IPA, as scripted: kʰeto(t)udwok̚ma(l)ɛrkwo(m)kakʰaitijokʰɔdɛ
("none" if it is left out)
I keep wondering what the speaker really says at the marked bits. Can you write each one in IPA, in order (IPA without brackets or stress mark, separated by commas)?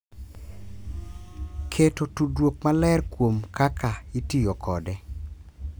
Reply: t, l, m